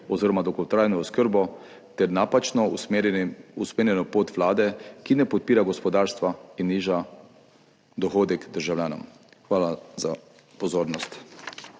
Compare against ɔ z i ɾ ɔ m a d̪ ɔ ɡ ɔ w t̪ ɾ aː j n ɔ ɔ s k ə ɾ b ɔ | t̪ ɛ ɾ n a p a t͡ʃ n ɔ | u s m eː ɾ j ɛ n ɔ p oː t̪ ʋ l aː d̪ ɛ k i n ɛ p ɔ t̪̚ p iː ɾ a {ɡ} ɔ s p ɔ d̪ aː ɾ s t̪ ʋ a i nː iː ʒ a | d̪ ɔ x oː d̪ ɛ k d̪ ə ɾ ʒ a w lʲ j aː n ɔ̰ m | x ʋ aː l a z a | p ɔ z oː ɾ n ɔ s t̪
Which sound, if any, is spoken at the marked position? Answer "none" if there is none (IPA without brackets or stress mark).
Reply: ɡ